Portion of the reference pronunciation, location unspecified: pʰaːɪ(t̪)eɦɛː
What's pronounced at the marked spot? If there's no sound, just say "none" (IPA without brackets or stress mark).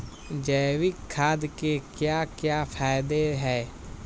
d̪